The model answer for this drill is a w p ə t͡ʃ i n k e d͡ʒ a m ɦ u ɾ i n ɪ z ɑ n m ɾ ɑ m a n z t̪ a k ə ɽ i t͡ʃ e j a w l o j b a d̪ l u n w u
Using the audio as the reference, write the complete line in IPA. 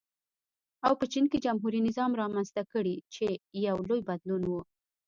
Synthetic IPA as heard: a w p ə t͡ʃ i n k e d͡ʒ a m ɦ u ɾ i n ɪ z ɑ m ɾ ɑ m a n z t̪ a k ə ɽ i t͡ʃ e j a w l o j b a d̪ l u n w u